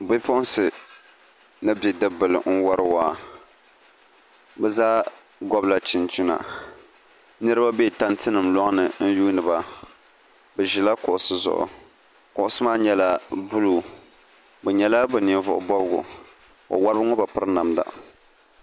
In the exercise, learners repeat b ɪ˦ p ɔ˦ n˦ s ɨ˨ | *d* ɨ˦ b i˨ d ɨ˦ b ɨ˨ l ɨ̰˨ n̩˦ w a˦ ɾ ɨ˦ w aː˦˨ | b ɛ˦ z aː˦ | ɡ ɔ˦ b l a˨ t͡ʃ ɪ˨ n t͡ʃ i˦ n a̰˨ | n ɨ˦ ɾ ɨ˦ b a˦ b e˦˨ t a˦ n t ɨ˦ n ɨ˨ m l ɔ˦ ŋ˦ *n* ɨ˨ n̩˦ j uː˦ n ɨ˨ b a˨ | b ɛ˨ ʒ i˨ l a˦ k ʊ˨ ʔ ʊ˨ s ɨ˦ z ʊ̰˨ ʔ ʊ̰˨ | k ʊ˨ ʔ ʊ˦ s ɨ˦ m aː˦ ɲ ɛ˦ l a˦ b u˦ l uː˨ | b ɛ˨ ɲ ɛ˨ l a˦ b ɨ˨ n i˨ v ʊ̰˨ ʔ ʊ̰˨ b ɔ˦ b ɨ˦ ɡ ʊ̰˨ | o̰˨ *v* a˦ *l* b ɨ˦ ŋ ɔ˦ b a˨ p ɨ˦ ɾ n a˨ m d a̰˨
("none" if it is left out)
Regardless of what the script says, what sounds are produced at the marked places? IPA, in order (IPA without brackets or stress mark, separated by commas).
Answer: n, n, w, ɾ